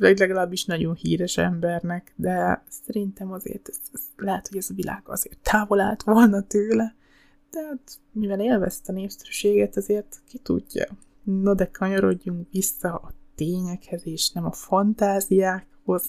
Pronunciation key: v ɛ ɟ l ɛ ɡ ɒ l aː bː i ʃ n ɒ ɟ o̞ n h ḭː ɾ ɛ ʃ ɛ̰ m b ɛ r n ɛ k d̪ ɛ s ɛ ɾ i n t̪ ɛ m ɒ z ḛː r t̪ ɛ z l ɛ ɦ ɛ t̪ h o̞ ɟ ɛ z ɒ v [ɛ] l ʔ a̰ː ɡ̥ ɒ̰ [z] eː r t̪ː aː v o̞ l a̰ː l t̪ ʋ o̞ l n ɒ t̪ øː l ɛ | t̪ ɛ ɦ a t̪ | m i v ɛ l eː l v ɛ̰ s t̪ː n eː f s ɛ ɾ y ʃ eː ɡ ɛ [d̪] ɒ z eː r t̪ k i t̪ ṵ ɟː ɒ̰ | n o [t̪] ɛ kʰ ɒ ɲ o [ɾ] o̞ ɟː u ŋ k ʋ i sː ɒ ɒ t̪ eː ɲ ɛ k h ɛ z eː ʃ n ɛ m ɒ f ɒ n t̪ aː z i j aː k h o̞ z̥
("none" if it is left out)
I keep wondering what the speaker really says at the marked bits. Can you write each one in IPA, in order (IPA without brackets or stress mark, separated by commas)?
i, z, t̪, d̪, ɾ